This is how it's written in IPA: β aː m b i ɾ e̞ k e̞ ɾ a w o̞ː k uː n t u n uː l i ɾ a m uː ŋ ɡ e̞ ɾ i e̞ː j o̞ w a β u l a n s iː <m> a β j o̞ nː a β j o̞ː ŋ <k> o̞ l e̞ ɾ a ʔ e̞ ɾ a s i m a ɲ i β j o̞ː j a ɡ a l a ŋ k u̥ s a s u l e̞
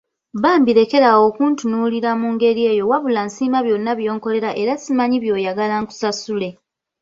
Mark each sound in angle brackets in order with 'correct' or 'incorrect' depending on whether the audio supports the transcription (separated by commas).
correct, correct